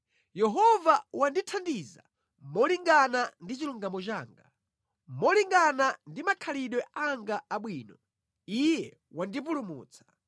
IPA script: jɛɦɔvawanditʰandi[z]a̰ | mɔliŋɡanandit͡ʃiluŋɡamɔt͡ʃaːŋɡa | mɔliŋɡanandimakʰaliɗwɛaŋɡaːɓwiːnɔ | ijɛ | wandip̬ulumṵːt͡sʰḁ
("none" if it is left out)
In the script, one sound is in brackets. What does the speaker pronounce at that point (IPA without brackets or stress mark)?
z